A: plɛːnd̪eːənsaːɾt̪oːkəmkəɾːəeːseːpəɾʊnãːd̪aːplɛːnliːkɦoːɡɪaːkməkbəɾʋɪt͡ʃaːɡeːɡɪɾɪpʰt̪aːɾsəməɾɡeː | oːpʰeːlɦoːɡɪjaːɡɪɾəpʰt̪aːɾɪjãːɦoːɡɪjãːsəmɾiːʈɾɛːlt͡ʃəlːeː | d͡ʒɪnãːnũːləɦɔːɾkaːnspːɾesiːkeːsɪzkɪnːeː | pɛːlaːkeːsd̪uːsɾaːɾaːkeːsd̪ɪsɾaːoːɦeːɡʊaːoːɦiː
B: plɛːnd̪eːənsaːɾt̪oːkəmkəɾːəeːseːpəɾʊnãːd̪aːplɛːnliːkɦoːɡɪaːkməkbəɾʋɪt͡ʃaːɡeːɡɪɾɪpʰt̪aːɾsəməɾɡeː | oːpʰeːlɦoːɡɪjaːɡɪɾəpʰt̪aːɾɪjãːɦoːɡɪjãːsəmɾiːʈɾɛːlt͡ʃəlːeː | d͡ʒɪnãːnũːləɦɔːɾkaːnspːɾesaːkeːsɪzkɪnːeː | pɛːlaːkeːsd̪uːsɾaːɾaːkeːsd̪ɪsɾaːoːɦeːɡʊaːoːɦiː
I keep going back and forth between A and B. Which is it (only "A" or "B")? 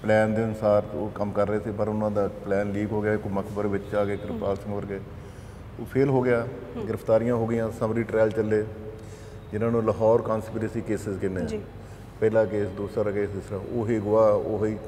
A